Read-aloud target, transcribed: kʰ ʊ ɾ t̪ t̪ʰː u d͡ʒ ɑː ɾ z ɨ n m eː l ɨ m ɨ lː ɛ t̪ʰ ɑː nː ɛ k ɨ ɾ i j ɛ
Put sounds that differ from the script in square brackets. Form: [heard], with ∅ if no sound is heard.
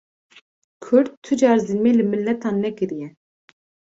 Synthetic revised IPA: kʰ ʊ ɾ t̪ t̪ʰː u d͡ʒ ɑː ɾ z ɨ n m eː l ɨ m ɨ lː ɛ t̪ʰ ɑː nː ɛ k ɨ ɾ i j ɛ